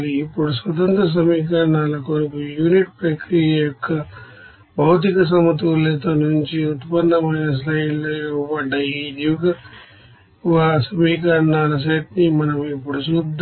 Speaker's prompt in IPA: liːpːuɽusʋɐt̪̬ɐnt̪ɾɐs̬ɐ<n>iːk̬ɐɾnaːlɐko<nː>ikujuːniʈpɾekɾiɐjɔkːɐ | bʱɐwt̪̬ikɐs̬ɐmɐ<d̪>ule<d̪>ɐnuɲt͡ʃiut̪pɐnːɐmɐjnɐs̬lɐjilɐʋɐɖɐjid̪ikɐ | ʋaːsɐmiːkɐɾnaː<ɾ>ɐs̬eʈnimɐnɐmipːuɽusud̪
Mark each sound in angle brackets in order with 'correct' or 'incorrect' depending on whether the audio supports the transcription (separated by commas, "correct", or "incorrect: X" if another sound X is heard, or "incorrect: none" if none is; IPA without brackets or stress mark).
incorrect: m, incorrect: n, incorrect: t̪, incorrect: t̪, incorrect: l